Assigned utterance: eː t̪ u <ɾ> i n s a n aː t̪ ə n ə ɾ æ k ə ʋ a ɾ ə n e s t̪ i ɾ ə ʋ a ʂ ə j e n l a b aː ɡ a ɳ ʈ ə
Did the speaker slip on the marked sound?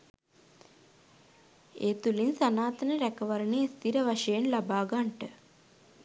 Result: yes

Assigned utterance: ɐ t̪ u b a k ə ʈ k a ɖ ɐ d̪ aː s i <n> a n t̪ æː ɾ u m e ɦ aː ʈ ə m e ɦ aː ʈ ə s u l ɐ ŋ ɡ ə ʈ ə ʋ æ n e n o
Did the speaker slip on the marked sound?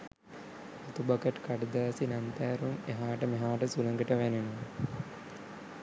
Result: no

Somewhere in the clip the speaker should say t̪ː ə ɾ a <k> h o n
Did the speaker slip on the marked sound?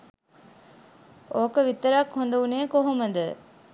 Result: no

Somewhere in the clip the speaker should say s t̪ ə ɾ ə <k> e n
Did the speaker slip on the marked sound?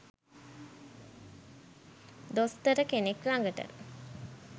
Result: no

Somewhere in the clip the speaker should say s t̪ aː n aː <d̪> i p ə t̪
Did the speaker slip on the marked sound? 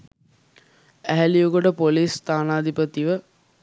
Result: no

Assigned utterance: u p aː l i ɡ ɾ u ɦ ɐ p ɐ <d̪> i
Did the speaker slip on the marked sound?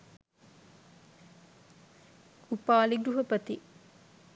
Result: yes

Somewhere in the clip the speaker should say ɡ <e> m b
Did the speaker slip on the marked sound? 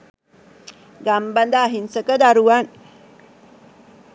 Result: yes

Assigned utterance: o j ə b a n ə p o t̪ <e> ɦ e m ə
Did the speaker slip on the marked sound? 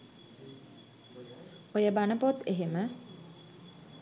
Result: no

